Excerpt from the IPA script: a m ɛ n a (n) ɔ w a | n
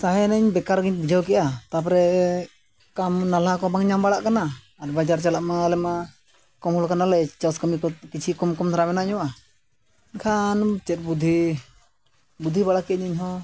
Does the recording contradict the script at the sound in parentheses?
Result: yes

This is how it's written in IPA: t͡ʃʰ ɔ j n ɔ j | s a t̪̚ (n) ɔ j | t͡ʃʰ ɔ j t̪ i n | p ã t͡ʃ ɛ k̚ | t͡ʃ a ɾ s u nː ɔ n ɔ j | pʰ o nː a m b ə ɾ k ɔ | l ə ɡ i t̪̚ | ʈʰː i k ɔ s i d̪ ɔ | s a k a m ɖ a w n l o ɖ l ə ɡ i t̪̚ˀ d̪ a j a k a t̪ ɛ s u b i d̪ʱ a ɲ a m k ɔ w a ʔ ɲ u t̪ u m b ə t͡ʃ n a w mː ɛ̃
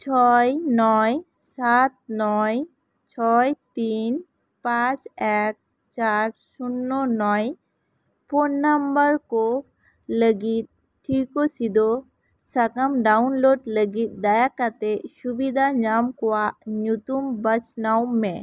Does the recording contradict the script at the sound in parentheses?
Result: no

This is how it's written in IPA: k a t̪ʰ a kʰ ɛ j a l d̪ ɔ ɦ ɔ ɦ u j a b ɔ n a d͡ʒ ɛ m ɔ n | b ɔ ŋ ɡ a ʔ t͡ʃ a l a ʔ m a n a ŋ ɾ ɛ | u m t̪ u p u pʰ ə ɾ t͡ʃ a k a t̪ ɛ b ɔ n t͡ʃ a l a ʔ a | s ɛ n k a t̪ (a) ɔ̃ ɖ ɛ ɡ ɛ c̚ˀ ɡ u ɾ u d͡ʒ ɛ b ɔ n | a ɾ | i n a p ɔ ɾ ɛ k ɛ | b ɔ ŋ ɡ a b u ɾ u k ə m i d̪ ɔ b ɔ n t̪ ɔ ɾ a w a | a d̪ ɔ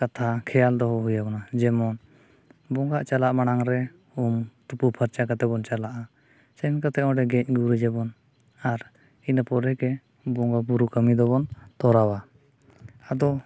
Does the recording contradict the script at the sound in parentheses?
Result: yes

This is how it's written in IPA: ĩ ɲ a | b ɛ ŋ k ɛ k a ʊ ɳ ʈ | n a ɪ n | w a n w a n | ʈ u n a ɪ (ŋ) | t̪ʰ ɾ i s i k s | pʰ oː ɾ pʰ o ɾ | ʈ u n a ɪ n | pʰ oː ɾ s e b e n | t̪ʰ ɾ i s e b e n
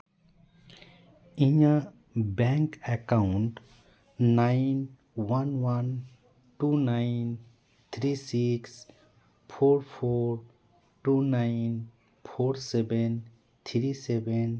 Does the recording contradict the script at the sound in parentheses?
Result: yes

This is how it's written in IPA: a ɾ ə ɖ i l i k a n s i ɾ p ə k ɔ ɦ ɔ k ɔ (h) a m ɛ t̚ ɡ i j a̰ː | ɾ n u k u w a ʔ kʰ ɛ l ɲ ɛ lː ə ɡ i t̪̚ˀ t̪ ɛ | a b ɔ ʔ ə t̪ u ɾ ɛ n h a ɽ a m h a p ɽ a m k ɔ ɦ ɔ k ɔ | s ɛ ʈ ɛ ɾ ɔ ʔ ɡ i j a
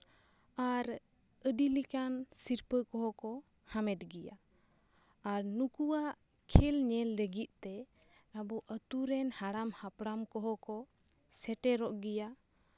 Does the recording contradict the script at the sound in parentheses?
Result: no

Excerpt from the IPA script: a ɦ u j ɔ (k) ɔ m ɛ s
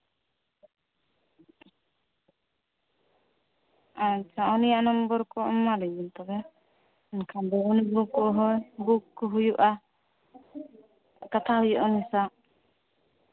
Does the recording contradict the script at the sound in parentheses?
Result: yes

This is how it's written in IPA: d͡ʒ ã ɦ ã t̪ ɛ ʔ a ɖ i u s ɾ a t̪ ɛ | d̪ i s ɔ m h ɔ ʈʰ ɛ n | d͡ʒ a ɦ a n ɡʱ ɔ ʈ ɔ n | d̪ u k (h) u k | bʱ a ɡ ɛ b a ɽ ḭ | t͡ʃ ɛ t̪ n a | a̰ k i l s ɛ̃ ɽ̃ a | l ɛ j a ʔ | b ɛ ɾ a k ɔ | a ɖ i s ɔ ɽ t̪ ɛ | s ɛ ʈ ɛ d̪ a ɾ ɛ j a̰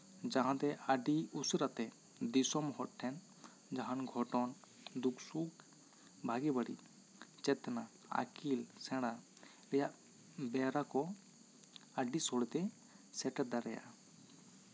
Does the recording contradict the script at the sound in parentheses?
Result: yes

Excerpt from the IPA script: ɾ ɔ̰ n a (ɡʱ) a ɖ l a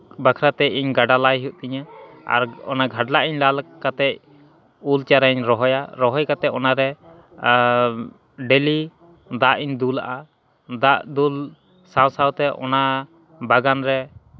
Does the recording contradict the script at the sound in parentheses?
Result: no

